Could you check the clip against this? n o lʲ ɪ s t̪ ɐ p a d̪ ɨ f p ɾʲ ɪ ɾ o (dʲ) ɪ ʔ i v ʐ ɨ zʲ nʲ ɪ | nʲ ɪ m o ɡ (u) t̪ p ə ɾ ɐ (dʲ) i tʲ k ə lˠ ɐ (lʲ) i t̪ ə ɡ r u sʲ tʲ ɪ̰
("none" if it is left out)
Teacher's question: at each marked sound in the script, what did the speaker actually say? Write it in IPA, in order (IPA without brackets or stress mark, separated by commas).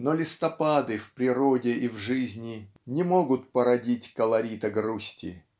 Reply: dʲ, ʊ, dʲ, ɾʲ